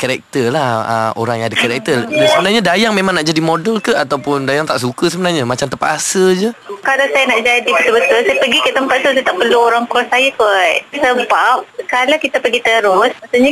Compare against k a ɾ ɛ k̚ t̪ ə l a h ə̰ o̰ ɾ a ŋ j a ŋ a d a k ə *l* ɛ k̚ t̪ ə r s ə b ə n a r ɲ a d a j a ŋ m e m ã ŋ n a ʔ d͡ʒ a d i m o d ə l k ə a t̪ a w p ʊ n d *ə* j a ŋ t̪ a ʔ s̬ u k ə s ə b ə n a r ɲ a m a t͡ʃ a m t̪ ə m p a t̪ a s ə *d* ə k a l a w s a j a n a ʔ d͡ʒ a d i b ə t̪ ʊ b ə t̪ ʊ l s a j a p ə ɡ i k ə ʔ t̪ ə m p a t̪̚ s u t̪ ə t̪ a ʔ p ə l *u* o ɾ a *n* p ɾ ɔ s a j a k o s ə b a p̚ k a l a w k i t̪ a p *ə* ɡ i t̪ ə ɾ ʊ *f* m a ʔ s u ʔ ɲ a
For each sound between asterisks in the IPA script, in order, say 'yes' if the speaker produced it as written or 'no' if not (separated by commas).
no, no, no, yes, no, yes, no